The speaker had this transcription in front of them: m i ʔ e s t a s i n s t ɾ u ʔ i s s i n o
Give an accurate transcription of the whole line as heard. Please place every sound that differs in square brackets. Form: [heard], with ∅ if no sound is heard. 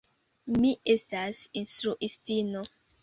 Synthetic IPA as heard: m i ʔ e s t a s i n s t ɾ u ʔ i s [t] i n o